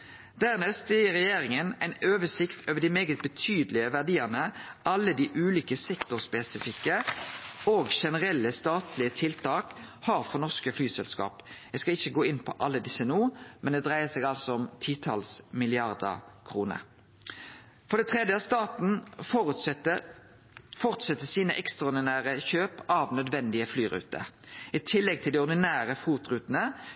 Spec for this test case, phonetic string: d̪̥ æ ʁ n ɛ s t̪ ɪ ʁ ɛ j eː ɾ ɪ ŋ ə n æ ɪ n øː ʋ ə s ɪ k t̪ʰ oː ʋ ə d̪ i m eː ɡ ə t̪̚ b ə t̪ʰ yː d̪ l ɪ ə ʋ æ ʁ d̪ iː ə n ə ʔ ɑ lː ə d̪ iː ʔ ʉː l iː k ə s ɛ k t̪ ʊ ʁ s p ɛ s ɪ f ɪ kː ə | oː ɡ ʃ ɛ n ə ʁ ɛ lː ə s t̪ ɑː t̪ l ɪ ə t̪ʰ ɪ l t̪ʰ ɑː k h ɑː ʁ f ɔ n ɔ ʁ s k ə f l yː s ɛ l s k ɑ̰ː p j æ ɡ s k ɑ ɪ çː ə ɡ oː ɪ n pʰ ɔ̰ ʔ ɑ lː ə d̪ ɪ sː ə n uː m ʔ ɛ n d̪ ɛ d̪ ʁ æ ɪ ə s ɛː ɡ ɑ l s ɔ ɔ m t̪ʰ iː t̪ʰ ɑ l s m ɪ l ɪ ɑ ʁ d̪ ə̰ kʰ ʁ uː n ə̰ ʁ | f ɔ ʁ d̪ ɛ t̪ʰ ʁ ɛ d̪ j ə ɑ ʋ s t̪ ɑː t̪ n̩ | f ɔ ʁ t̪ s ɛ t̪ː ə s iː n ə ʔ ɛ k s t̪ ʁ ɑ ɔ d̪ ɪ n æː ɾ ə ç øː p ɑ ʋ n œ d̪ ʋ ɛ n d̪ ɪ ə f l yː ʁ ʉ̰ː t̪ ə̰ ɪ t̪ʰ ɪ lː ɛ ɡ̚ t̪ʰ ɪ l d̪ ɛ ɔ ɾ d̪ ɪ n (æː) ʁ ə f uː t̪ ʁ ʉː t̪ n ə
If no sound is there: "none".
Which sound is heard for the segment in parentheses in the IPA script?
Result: æː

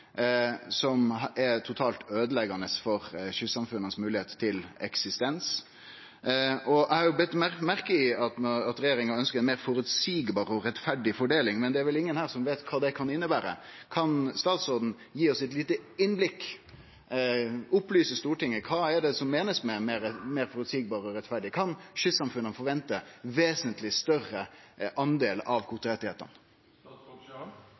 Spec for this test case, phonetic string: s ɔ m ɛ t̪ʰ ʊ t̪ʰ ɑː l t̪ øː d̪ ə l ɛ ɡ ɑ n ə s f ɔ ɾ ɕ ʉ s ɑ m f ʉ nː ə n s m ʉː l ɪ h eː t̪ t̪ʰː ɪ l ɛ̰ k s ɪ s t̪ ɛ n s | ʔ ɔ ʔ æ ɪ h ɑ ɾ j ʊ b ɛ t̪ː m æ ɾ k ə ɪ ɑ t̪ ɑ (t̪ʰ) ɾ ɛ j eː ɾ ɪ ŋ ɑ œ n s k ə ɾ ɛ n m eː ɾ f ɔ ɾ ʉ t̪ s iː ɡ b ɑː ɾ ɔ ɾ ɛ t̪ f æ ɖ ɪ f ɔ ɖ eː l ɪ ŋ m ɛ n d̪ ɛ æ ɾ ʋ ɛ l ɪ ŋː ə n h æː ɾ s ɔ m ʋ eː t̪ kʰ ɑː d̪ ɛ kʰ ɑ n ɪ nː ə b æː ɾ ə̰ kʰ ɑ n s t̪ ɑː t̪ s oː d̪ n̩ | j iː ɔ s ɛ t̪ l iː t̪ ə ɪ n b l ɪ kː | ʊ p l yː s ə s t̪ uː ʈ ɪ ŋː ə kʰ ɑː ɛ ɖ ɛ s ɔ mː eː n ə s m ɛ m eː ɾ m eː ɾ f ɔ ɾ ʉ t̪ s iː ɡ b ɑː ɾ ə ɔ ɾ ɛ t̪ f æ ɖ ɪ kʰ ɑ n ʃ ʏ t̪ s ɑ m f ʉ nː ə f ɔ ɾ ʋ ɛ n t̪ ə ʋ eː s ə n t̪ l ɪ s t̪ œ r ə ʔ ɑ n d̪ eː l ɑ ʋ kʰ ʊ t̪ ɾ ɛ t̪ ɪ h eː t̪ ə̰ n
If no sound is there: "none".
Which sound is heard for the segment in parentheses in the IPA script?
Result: t̪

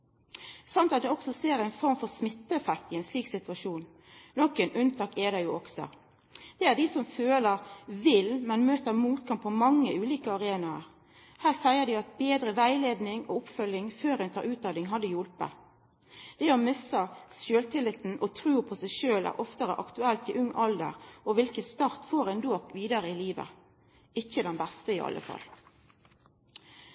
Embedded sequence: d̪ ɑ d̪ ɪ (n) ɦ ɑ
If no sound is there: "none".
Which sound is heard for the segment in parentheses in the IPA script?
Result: ŋ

